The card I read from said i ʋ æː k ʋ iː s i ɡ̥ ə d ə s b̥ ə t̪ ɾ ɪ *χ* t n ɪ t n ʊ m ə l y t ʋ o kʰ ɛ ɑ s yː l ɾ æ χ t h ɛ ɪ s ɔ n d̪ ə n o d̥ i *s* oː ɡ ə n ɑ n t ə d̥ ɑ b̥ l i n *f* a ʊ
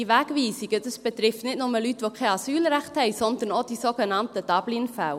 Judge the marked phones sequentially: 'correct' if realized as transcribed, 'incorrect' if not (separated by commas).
incorrect, correct, correct